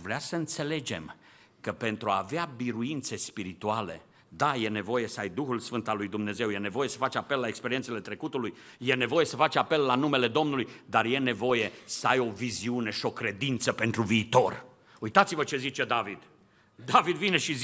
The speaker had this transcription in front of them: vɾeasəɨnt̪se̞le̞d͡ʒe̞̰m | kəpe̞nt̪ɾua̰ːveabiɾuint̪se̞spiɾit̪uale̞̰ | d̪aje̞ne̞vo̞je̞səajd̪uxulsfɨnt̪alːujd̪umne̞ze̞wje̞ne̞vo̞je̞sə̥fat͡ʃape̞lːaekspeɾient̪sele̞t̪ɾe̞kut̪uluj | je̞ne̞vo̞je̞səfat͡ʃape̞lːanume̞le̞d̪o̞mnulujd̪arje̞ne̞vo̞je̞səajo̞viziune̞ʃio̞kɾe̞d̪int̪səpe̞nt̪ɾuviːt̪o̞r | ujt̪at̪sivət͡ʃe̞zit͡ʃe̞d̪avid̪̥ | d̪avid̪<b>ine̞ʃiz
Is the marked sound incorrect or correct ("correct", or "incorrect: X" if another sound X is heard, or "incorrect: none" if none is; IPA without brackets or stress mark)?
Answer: incorrect: v